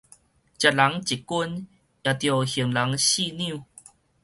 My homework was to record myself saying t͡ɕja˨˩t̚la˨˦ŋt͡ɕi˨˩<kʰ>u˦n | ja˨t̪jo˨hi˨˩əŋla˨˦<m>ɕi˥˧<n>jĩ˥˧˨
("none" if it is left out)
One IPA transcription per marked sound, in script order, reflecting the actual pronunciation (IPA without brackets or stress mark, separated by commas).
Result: k, ŋ, n